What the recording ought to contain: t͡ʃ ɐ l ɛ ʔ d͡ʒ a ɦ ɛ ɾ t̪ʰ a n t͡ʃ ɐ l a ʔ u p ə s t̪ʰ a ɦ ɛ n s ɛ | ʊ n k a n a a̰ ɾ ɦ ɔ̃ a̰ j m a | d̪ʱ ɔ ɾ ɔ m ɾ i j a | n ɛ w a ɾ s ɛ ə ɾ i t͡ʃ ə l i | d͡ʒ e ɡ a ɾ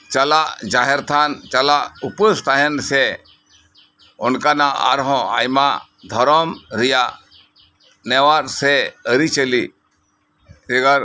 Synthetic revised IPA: t͡ʃ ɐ l a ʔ d͡ʒ a ɦ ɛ ɾ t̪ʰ a n t͡ʃ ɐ l a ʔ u p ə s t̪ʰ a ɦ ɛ n s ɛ | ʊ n k a n a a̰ ɾ ɦ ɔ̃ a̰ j m a | d̪ʱ ɔ ɾ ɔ m ɾ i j a | n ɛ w a ɾ s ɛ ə ɾ i t͡ʃ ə l i | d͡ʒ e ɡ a ɾ